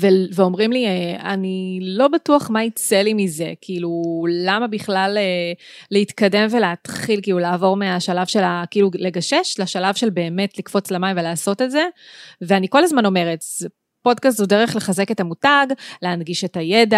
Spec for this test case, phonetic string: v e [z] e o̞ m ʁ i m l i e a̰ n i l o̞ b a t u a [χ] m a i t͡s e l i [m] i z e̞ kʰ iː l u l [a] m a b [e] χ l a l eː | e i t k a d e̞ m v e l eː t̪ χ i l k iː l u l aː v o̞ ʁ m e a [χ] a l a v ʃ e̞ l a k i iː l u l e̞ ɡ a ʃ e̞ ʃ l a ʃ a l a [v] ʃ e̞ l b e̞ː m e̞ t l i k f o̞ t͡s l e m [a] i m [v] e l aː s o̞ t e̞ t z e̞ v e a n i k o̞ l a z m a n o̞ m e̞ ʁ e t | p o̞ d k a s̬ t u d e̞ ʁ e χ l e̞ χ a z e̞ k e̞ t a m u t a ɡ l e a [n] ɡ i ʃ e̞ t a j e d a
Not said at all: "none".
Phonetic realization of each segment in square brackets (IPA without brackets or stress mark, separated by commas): v, χ, m, a, i, ʃ, v, a, v, n